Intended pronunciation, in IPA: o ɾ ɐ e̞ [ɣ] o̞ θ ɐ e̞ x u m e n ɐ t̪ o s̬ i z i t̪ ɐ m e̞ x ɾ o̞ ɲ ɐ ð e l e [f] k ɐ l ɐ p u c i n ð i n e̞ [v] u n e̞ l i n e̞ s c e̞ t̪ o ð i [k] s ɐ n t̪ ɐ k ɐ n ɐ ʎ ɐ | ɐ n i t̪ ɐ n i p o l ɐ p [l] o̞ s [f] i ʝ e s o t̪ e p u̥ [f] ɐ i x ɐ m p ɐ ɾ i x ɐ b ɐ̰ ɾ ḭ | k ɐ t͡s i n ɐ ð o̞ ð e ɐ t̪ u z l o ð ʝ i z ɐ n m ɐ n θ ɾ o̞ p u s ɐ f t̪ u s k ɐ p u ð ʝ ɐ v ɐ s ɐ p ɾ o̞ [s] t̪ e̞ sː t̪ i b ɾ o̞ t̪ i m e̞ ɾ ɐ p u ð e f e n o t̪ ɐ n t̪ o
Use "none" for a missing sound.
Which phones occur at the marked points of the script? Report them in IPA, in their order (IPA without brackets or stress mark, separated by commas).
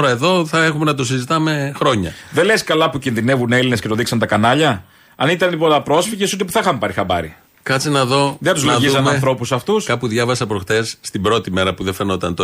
ð, s, v, k, ɾ, f, θ, x